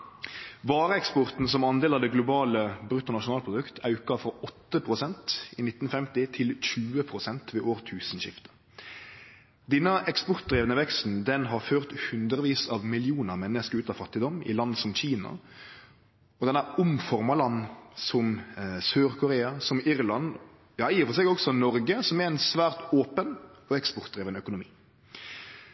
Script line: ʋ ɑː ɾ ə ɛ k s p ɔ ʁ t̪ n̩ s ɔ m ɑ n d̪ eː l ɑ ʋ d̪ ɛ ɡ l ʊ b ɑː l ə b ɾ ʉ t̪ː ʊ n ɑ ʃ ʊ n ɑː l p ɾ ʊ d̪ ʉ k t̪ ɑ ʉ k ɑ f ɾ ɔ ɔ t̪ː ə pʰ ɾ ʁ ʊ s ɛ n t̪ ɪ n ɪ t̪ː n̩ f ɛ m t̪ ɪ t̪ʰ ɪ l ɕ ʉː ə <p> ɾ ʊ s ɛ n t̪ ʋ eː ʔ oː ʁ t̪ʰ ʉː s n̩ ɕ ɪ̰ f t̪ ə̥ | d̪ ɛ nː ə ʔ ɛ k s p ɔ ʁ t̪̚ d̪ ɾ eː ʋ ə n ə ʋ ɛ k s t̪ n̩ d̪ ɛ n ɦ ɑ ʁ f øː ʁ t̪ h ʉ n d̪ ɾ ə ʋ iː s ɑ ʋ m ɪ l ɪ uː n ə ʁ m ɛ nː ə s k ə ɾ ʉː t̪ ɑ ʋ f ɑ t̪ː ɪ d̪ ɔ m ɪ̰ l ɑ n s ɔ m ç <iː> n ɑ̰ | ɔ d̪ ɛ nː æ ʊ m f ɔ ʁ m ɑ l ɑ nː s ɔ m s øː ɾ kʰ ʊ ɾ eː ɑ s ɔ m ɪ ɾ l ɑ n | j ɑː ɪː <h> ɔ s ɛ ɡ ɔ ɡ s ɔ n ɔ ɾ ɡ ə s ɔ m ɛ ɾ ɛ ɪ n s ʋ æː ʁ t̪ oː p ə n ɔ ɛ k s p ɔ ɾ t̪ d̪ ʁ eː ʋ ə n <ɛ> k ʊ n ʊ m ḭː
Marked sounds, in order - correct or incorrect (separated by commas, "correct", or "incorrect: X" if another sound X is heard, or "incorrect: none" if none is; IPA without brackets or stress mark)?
incorrect: pʰ, correct, incorrect: f, incorrect: œ